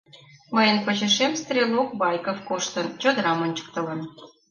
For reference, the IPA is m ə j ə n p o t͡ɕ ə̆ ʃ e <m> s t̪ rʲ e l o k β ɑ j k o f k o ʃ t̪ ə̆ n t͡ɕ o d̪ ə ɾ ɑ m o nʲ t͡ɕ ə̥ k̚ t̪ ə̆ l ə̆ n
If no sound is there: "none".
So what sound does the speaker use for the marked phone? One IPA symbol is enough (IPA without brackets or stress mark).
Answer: m